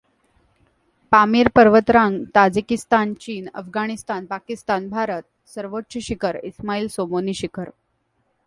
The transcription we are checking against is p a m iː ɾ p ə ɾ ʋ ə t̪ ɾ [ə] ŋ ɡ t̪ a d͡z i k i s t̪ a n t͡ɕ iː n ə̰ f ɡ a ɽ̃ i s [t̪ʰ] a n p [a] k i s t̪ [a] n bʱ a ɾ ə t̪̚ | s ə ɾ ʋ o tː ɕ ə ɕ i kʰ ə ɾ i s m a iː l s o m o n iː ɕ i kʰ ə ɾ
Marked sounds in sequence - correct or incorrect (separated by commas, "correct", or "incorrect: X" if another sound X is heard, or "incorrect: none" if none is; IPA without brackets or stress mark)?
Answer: incorrect: a, incorrect: t̪, correct, correct